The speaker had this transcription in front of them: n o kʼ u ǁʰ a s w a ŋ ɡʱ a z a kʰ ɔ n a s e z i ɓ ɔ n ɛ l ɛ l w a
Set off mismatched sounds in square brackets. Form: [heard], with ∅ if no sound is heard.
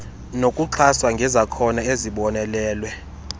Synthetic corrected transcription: n o kʼ u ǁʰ a s w a ŋ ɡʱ [ɛ] z a kʰ ɔ n a [∅] e z i ɓ ɔ n ɛ l [ɛː] l w [ɛ]